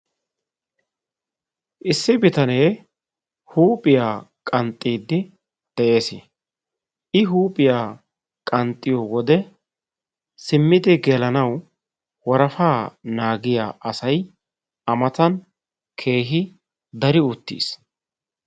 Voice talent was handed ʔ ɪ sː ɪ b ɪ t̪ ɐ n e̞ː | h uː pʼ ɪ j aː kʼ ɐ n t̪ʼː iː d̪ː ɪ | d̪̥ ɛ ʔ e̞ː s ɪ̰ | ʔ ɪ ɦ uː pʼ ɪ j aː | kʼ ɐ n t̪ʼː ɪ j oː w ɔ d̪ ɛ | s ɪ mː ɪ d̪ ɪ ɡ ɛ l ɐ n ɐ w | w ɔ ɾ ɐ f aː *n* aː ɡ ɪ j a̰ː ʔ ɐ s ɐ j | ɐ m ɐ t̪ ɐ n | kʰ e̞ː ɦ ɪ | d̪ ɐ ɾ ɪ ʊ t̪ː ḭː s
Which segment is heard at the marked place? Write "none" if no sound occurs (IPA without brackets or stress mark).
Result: n